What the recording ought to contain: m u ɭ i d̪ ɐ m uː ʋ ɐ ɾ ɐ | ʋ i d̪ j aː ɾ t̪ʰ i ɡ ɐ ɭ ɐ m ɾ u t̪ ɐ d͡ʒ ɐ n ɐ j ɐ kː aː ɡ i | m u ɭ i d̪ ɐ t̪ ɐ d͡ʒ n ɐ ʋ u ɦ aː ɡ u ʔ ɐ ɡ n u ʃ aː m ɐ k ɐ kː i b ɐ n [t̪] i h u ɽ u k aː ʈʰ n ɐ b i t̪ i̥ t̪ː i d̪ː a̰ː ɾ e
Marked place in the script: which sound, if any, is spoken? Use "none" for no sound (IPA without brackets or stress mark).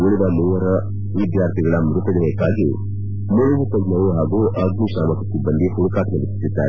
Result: d̪